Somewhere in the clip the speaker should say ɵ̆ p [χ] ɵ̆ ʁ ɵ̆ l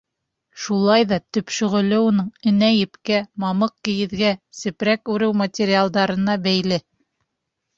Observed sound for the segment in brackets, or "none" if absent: ʃ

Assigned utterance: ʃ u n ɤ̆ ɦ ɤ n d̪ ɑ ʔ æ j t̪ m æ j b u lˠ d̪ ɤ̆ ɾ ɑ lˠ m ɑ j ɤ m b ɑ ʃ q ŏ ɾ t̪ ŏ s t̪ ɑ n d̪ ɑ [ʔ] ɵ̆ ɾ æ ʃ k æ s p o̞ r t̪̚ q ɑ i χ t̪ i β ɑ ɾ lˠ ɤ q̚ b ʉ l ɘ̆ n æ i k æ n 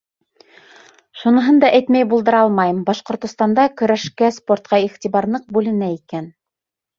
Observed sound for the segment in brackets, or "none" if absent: k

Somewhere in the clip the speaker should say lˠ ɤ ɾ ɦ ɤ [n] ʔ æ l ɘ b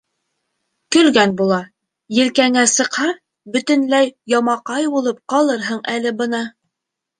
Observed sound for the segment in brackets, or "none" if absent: ɴ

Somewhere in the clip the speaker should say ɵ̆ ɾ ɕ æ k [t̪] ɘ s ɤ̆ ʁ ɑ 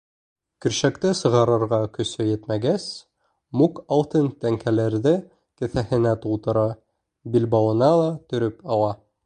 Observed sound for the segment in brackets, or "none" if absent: t̪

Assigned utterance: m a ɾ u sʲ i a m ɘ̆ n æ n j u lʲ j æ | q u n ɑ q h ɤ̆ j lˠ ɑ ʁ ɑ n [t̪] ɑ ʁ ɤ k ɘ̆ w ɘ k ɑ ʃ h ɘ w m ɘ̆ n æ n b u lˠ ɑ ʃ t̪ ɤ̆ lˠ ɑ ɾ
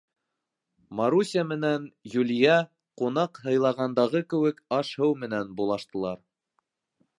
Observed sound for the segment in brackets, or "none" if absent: d̪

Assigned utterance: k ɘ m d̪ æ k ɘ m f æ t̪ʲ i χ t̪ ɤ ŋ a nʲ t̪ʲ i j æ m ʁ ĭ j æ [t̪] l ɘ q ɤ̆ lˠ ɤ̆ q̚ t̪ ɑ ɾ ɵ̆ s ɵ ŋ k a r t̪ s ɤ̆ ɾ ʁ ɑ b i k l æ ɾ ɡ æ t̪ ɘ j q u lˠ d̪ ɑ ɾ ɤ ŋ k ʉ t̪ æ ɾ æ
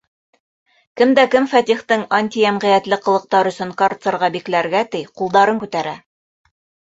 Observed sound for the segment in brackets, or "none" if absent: t̪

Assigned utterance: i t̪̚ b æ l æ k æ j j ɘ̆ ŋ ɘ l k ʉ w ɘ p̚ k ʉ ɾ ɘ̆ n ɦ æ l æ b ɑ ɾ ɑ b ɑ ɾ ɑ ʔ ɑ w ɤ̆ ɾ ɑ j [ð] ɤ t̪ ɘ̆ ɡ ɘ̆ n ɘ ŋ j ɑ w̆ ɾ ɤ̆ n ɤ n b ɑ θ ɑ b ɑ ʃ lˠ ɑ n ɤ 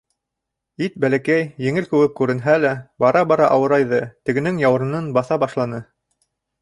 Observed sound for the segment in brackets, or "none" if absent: ð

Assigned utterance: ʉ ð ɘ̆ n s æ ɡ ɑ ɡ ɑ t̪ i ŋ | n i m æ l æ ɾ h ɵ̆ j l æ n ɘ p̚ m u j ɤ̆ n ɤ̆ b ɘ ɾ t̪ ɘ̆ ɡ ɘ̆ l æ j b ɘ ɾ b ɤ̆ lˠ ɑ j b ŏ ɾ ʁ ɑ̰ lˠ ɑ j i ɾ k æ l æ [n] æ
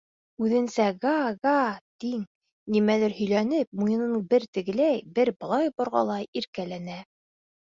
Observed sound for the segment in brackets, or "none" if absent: n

